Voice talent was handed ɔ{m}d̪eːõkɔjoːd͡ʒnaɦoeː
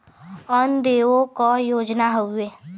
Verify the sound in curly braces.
incorrect: n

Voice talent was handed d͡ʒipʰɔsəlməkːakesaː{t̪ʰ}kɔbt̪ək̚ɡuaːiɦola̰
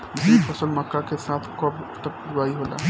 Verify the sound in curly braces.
correct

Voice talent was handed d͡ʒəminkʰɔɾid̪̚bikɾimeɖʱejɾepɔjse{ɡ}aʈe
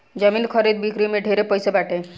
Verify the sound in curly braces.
incorrect: b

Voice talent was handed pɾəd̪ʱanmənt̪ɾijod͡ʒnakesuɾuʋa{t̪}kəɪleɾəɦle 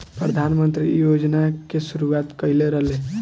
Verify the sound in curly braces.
correct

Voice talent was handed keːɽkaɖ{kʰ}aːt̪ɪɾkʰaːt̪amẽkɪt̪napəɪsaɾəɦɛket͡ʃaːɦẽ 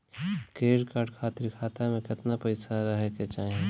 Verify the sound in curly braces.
correct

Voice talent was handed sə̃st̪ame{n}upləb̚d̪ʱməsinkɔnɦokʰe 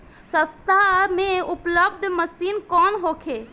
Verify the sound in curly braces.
incorrect: none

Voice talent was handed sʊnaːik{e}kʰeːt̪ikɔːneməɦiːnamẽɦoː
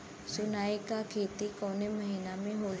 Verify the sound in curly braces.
incorrect: a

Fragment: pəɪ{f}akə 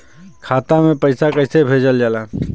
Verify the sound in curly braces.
incorrect: s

